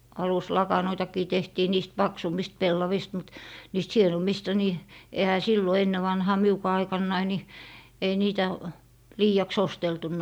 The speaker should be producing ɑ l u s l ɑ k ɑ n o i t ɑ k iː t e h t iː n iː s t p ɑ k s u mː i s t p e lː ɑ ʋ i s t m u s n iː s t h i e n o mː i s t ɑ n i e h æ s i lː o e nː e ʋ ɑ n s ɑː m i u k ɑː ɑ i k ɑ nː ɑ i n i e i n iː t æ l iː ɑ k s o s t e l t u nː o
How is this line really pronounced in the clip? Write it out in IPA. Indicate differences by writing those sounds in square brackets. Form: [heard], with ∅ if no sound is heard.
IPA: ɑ l u s l ɑ k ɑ n o i t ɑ k iː t e h t iː n iː s t p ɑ k s u mː i s t p e lː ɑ ʋ i s t m u [t] n iː s t h i e n o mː i s t ɑ n i e h æ s i lː o e nː e ʋ ɑ n [h] ɑː m i u k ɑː ɑ i k ɑ nː ɑ i n i e i n iː t æ l iː ɑ k s o s t e l t u nː o